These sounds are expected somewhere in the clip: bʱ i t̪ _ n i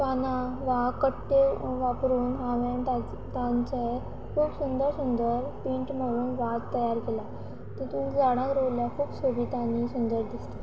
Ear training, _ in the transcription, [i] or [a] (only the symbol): a